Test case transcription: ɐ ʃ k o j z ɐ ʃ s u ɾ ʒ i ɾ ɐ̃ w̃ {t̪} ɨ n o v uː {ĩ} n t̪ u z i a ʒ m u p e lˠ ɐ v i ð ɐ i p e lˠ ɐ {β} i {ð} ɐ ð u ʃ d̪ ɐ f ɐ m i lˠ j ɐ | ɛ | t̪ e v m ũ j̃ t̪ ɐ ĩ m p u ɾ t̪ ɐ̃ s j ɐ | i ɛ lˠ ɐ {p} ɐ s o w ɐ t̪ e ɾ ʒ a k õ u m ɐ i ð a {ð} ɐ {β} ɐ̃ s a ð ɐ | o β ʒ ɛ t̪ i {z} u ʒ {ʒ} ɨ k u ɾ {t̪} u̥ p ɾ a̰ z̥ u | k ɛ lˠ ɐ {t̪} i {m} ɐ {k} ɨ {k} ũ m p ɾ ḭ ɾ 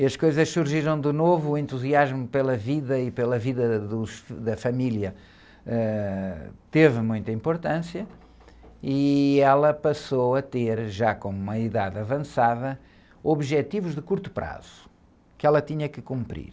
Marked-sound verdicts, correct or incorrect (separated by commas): incorrect, incorrect, incorrect, correct, correct, correct, incorrect, incorrect, incorrect, correct, correct, incorrect, correct, correct